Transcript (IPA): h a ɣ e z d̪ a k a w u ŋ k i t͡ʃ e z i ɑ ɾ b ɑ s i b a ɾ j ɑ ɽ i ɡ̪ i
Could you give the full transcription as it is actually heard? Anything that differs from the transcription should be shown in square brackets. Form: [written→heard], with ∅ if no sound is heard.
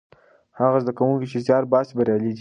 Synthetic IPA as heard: h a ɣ [e→a] z d̪ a k a w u ŋ k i t͡ʃ e z [i→j] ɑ ɾ b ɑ s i b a ɾ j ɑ [ɽ→l] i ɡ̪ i